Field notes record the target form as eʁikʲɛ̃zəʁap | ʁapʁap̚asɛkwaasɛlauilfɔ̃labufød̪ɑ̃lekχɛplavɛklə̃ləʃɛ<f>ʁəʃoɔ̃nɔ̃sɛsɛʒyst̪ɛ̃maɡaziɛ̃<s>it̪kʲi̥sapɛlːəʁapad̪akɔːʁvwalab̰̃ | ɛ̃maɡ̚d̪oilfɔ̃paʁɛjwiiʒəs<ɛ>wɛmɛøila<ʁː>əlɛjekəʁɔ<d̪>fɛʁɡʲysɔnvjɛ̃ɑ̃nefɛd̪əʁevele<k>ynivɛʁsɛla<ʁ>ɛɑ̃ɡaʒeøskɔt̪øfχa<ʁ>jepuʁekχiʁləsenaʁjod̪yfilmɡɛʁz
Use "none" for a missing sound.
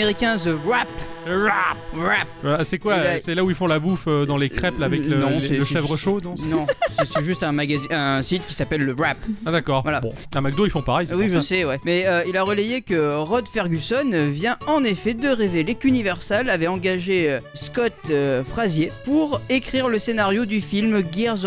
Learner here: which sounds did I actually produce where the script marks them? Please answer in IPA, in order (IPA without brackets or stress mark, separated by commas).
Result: v, s, ɛ, ʁ, d̪, k, v, z